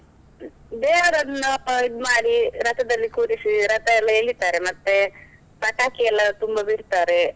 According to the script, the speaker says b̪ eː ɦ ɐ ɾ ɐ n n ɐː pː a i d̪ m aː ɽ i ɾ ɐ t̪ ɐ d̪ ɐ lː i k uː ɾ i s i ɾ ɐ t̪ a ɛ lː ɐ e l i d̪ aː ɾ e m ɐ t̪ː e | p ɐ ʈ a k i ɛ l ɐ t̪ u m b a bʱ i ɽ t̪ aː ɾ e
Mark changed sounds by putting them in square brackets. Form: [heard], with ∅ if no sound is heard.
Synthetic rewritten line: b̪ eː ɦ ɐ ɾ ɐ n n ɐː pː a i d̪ m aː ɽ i ɾ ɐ t̪ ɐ d̪ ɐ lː i k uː ɾ i s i ɾ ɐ t̪ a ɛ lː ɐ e l i [t̪] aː ɾ e m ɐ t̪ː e | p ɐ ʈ a k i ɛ l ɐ t̪ u m b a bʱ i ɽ t̪ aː ɾ e